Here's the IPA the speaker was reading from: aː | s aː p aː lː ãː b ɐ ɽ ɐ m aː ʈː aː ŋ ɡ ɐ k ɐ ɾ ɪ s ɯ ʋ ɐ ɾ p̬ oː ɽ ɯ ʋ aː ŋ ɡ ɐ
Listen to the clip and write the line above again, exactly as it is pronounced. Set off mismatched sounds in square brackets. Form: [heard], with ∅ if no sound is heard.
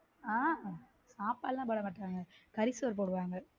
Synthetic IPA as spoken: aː | s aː p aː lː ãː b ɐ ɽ ɐ m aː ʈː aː ŋ ɡ ɐ k ɐ ɾ ɪ s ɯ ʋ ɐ ɾ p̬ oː ɽ ɯ ʋ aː ŋ ɡ ɐ